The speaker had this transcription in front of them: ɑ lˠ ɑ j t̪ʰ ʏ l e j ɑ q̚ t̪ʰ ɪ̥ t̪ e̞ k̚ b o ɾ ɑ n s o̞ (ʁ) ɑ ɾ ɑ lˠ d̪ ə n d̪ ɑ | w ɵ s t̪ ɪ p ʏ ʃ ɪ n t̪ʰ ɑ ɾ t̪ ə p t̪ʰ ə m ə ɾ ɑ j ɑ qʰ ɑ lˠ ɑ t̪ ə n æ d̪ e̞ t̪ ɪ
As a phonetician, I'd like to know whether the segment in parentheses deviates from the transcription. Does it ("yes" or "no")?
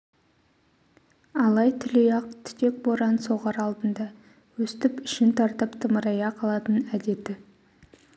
no